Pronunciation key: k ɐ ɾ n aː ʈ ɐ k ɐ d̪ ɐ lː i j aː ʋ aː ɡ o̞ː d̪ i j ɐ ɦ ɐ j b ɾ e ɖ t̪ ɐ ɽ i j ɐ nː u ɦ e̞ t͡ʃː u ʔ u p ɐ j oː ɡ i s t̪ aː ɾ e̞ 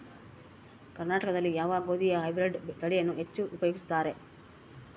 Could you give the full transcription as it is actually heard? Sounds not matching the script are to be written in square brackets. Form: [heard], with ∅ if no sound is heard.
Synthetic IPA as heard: k ɐ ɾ n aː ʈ ɐ k ɐ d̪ ɐ lː i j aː ʋ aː ɡ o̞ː d̪ i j ɐ ɦ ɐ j b ɾ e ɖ t̪ ɐ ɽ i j ɐ nː u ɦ e̞ t͡ʃː u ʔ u p ɐ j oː ɡ i s t̪ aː ɾ e̞